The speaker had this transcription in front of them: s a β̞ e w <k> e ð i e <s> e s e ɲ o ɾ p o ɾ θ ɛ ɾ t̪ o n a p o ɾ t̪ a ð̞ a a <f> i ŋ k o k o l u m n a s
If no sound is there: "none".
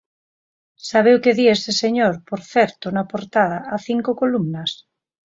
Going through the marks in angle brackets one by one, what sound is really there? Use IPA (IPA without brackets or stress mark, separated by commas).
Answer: k, s, θ